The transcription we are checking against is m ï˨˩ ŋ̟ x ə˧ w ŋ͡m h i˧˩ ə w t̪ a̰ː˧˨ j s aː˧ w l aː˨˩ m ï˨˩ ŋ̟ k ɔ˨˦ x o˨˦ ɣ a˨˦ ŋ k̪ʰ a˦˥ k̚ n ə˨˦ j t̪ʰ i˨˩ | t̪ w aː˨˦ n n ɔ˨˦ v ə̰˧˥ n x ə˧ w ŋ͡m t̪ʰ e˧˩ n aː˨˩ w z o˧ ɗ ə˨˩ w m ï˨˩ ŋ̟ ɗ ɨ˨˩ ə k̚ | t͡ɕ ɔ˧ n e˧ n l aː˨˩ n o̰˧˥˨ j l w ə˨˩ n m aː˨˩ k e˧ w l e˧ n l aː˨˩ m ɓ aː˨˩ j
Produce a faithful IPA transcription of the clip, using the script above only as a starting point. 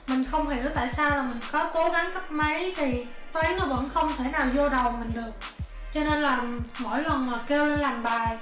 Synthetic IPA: m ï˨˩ ŋ̟ x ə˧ w ŋ͡m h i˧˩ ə w t̪ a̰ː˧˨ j s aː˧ w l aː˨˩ m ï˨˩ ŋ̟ k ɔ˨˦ k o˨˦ ɣ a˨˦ ŋ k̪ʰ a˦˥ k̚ m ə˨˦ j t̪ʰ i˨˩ | t̪ w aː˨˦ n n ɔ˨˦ v ə̰˧˥ n x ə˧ w ŋ͡m t̪ʰ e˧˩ n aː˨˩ w z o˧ ɗ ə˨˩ w m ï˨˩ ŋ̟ ɗ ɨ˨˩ ə k̚ | t͡ɕ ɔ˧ n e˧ n l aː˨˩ m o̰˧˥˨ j l w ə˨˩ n m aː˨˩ k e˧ w l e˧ n l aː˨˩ m ɓ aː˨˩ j